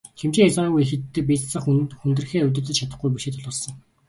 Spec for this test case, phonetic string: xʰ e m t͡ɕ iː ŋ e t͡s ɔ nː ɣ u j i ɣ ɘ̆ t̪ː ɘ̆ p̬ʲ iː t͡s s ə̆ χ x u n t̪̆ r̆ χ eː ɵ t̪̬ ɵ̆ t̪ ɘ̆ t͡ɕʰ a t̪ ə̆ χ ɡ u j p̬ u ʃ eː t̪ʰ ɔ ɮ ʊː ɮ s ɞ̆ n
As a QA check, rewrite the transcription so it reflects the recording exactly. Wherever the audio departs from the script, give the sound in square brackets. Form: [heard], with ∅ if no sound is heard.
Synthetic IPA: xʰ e m t͡ɕ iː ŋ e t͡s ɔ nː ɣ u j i [x] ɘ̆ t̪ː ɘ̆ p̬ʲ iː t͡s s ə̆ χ x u n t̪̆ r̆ [x] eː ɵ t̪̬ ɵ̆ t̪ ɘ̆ t͡ɕʰ a t̪ ə̆ χ ɡ u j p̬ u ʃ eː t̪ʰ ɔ ɮ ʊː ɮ s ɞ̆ [ŋ]